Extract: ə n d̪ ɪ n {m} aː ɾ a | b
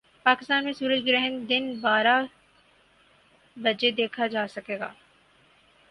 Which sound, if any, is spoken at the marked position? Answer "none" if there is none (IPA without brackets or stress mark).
b